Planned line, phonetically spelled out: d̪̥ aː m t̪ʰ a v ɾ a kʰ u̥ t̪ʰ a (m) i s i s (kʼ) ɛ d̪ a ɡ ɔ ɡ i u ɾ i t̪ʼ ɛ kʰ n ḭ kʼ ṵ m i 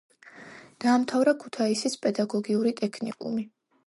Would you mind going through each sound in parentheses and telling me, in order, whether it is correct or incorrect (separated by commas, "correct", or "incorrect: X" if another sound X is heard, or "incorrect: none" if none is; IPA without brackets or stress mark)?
incorrect: none, incorrect: pʼ